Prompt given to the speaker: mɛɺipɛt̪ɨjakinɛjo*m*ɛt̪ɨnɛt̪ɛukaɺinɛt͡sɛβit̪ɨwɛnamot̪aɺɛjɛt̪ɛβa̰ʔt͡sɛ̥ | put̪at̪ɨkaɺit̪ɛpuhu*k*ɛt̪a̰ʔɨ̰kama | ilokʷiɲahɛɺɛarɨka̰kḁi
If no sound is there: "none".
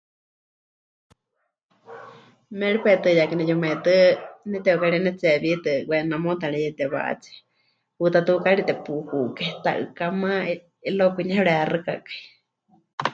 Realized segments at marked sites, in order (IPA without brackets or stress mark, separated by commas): m, k